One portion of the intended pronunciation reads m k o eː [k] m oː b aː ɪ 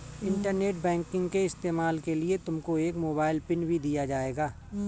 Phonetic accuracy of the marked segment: correct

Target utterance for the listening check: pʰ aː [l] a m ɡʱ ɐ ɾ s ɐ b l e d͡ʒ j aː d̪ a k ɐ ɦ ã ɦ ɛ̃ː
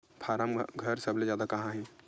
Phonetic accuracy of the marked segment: incorrect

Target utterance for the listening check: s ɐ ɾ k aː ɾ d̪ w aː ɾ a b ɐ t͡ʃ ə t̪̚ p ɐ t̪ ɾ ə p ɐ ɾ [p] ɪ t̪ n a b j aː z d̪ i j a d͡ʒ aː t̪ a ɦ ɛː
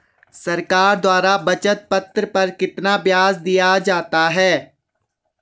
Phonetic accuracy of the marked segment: incorrect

